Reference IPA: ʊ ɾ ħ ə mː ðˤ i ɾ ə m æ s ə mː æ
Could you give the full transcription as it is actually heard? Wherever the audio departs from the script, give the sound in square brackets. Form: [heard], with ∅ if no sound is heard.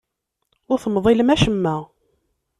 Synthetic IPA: ʊ ɾ [θ] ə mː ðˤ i [l] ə m æ [ʃ] ə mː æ